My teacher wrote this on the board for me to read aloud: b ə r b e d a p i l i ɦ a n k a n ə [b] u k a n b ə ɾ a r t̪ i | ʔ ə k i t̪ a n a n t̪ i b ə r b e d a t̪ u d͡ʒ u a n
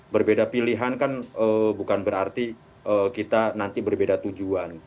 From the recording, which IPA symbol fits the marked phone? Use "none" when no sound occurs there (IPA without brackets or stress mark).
b